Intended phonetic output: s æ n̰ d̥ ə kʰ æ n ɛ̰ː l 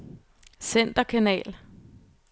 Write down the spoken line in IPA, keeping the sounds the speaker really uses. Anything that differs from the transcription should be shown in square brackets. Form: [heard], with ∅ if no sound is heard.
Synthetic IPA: s [e] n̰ d̥ [ɐ] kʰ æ n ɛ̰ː l